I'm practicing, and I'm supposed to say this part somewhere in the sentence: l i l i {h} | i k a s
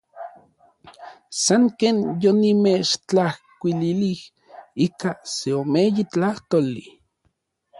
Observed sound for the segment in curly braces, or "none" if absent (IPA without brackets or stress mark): h